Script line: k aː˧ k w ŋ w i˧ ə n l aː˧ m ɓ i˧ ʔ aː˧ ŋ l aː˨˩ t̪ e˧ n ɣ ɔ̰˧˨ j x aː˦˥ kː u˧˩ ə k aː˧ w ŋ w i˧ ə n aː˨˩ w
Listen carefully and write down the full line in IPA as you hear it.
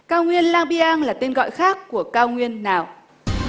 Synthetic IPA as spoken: k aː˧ w ŋ w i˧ ə n l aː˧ ŋ ɓ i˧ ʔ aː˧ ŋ l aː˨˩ t̪ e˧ n ɣ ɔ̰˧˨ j x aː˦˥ kː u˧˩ ə k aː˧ w ŋ w i˧ ə nː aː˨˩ w